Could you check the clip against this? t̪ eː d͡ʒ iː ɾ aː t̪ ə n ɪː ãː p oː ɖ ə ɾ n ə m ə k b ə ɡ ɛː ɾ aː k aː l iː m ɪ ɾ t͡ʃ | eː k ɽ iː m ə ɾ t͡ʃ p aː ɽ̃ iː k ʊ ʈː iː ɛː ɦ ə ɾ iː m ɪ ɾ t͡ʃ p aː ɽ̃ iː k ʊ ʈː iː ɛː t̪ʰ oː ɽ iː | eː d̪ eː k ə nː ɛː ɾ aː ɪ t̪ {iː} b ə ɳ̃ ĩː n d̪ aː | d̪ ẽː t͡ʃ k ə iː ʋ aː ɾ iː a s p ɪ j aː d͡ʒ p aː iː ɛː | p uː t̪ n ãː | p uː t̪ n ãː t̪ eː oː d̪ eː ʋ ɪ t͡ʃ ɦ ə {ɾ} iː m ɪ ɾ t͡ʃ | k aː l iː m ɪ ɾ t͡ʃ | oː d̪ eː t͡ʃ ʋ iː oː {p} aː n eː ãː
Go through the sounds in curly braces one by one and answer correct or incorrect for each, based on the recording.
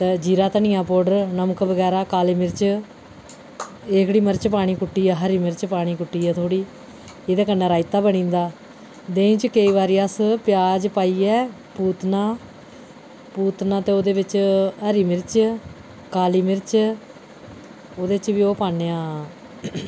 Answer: incorrect, correct, correct

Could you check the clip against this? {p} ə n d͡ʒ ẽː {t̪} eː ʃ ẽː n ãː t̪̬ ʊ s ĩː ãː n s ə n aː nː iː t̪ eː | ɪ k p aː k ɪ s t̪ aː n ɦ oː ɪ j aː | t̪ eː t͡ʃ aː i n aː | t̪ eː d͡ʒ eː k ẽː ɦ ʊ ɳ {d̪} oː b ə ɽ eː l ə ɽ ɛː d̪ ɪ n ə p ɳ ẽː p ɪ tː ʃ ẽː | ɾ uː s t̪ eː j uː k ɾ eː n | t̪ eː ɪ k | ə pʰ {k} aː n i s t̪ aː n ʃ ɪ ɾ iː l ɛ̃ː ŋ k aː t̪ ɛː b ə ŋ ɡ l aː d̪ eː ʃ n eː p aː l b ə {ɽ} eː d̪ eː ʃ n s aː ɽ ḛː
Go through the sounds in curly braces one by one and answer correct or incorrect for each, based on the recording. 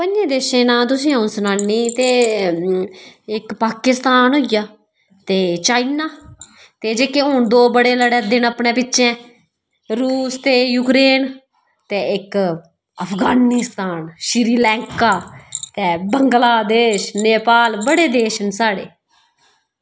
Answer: correct, incorrect, correct, incorrect, correct

